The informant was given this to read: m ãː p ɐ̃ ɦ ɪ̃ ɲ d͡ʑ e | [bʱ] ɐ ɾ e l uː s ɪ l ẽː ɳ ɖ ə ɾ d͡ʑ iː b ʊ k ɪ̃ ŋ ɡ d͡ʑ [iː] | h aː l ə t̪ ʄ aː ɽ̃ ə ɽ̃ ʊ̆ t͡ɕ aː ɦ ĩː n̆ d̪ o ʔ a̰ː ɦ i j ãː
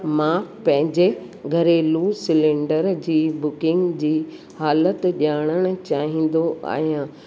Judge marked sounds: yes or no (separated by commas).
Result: no, yes